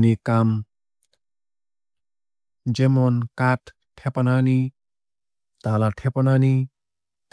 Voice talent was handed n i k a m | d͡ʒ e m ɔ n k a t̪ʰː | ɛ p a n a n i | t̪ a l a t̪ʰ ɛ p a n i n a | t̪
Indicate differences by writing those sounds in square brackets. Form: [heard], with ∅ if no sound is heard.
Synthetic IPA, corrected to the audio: n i k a m | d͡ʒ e m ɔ n k a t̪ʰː | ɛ p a n a n i | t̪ a l a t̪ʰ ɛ p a n [a] n [i] | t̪